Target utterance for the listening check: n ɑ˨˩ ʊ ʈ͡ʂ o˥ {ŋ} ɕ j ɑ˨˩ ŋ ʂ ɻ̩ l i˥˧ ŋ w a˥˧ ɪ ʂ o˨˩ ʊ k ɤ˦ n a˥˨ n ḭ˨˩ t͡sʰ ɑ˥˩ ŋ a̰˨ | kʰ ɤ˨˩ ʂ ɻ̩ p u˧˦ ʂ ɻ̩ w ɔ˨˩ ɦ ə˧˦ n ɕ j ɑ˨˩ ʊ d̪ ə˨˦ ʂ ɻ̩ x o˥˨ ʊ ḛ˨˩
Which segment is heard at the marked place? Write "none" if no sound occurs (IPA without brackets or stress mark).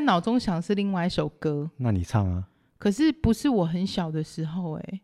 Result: ŋ